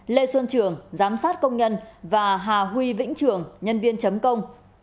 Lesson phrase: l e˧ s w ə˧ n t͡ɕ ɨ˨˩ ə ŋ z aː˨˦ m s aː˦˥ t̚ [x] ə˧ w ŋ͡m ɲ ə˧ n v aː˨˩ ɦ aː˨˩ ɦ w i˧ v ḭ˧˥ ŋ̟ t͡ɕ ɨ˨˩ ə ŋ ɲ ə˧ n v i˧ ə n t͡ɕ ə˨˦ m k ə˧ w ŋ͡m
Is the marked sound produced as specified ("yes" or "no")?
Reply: no